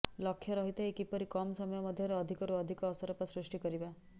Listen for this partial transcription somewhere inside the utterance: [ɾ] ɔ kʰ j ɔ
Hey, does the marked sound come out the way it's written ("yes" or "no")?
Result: no